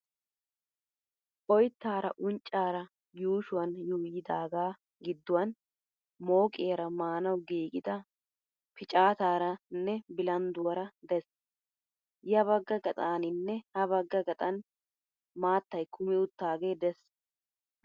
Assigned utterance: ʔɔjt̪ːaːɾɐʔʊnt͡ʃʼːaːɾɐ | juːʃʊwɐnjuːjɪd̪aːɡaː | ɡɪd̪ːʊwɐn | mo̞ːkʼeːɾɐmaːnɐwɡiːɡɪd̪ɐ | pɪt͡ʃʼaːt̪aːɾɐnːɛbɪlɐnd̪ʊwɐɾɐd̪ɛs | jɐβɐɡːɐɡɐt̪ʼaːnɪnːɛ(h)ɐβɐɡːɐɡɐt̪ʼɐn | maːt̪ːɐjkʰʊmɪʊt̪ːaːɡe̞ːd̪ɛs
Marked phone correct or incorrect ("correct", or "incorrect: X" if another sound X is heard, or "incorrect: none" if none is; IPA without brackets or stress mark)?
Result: correct